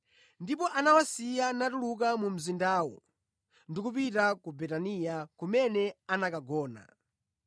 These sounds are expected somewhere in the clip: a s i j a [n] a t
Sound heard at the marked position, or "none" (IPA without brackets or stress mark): n